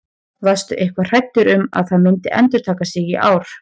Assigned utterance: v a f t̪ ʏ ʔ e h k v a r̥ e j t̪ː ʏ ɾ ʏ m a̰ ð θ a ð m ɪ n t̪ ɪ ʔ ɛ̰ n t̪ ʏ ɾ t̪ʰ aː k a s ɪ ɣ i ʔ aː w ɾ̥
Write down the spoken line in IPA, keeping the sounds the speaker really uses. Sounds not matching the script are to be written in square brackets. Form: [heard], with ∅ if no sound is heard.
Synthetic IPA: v a [s] t̪ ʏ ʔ e h k v a r̥ [a] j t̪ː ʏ ɾ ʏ m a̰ ð θ a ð m ɪ n t̪ ɪ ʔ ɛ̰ n t̪ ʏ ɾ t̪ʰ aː k a s ɪ ɣ i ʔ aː w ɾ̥

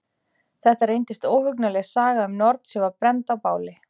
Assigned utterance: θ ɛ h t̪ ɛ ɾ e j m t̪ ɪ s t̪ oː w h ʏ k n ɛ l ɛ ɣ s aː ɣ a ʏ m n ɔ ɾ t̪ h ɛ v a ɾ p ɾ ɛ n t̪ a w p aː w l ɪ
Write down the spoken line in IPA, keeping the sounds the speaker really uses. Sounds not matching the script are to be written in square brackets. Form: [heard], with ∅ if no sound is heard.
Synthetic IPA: θ ɛ h t̪ [a] ɾ e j [n] t̪ ɪ s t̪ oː w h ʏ k n [a] l ɛ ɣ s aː ɣ a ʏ m n ɔ ɾ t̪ [s] ɛ v a ɾ p ɾ ɛ n t̪ a w p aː w l ɪ

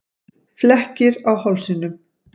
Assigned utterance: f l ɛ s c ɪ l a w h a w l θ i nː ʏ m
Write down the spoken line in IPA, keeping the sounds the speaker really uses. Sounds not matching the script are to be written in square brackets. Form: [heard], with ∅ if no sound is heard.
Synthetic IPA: f l ɛ [h] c ɪ [ɾ] a w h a w l [s] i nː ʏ m

